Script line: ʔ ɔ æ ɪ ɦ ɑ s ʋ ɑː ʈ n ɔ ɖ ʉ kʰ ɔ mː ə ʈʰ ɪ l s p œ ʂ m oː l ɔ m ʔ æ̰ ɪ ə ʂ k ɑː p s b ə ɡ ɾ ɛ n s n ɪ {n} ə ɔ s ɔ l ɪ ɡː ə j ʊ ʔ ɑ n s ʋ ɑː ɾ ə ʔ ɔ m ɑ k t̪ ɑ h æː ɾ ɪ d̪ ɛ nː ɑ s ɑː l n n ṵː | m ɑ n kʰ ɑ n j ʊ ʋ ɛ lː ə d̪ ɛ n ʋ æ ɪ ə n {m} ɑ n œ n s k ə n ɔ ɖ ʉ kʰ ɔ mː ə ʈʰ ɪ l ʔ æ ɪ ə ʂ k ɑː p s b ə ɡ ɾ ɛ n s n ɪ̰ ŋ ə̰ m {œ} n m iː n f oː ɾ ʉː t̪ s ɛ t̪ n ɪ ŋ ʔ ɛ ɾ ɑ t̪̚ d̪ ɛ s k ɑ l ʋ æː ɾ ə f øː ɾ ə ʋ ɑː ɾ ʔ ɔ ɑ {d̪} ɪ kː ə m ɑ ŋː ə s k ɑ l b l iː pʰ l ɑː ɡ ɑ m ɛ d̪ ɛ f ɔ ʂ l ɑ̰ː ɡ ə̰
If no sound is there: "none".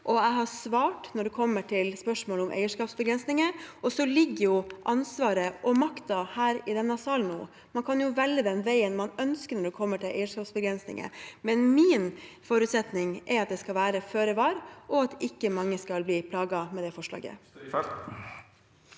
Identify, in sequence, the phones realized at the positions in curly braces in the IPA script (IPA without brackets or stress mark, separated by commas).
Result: ŋ, m, ɛ, t̪